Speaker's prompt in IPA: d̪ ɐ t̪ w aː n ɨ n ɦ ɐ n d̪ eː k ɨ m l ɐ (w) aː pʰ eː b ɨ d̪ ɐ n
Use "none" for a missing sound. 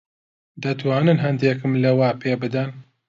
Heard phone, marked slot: w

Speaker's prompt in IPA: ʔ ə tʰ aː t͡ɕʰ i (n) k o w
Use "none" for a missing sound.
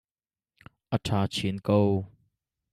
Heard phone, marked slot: n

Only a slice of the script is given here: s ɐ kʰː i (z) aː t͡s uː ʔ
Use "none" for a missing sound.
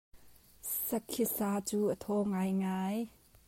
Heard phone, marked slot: s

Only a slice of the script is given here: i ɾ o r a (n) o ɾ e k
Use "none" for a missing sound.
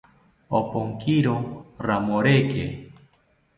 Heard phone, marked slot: m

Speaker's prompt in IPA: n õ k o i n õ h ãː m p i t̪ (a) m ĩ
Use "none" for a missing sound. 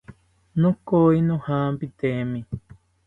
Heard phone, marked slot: e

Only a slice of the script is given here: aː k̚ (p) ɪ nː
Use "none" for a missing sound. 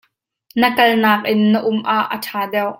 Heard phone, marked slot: ʔ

